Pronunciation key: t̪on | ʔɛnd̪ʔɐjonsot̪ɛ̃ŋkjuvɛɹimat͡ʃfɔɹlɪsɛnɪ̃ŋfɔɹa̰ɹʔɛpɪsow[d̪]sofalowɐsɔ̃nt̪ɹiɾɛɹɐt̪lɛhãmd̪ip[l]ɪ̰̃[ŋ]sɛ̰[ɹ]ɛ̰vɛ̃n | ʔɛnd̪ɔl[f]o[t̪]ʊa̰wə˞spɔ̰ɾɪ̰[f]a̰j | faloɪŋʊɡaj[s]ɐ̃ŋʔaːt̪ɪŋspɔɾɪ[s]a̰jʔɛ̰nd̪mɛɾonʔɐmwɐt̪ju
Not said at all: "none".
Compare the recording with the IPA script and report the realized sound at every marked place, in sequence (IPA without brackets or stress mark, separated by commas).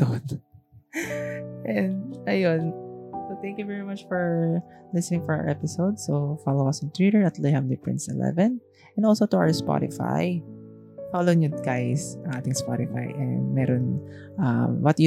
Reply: d̪, ɹ, n, l, s, t̪, f, s, f